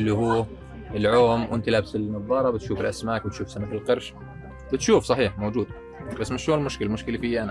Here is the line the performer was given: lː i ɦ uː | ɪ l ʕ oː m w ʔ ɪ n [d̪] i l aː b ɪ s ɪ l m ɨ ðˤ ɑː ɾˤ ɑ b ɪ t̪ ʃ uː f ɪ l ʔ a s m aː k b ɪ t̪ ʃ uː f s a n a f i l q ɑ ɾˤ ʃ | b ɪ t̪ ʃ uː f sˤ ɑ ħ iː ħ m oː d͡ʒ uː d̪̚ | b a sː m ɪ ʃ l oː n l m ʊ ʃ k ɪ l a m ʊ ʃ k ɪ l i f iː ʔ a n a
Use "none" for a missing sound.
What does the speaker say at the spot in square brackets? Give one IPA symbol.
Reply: t̪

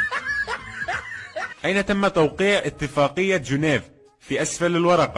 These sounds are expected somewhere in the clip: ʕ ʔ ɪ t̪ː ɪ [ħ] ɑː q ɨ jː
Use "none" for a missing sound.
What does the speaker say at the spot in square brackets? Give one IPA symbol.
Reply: f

